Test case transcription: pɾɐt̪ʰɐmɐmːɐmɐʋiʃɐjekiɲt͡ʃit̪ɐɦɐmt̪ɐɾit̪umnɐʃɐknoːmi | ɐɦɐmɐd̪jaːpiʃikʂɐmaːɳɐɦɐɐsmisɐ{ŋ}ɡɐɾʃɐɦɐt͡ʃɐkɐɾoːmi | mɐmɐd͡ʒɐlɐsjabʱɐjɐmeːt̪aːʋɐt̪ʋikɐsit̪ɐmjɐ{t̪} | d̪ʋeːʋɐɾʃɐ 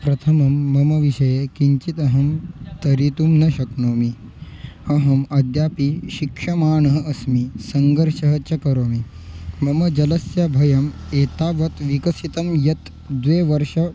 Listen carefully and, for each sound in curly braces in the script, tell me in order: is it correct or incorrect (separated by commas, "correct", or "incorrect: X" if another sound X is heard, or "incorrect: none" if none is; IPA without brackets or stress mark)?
correct, correct